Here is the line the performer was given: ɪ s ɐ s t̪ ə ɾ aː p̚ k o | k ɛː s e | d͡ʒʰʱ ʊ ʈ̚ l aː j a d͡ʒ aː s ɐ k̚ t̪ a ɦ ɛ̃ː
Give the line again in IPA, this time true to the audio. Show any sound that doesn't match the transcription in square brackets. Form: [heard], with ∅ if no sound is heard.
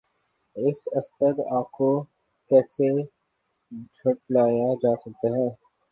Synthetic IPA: ɪ s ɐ s t̪ ə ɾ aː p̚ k o | k ɛː s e | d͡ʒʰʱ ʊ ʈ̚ l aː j a d͡ʒ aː s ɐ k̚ t̪ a ɦ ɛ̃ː

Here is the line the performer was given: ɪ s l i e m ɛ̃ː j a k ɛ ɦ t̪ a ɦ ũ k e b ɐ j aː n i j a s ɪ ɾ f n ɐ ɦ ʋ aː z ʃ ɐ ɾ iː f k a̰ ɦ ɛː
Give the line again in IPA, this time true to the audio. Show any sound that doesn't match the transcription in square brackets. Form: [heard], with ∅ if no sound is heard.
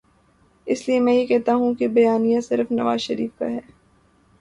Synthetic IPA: ɪ s l i e m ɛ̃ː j [e] k ɛ ɦ t̪ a ɦ ũ k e b ɐ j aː n i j a s ɪ ɾ f n ɐ [∅] ʋ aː z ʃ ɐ ɾ iː f k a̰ ɦ ɛː

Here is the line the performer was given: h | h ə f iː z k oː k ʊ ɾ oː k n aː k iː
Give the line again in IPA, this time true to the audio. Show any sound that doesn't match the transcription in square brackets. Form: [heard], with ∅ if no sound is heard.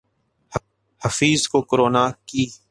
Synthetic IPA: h | h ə f iː z k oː k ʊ ɾ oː [∅] n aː k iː

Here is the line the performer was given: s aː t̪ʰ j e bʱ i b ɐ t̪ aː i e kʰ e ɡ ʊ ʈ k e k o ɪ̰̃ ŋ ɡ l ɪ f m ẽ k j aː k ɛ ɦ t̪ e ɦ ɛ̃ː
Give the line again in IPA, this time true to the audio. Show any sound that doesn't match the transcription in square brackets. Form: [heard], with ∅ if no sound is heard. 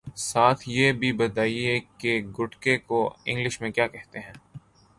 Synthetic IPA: s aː t̪ʰ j e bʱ i b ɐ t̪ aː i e [k] e ɡ ʊ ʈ k e k o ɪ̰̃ ŋ ɡ l ɪ [ʃ] m ẽ k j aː k ɛ ɦ t̪ e ɦ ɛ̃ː

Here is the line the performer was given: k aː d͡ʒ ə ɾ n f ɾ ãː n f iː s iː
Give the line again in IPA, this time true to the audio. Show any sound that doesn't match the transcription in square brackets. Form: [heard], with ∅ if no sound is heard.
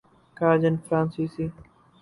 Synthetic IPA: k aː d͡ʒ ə [∅] n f ɾ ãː n [s] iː s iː

